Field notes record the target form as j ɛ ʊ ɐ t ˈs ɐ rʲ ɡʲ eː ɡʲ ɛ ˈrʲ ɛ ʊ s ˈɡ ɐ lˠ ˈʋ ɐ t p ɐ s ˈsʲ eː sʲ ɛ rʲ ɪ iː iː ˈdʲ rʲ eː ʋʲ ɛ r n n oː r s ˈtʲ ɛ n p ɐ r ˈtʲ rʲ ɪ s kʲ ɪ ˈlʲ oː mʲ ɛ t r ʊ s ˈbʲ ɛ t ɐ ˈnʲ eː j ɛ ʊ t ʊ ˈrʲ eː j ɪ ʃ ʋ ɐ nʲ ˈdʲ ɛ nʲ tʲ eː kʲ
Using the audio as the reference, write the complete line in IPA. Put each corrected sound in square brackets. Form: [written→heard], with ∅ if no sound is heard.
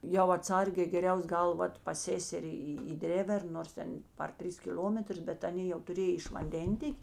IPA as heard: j ɛ ʊ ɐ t ˈs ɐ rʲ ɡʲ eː ɡʲ ɛ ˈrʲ ɛ ʊ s ˈɡ ɐ lˠ ˈʋ ɐ t p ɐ s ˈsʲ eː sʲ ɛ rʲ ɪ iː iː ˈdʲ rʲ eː ʋʲ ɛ r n n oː r s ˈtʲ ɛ n p ɐ r ˈtʲ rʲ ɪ s kʲ ɪ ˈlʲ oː mʲ ɛ t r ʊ s ˈbʲ ɛ t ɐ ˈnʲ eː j ɛ ʊ t ʊ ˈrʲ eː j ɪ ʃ ʋ ɐ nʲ ˈdʲ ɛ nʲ tʲ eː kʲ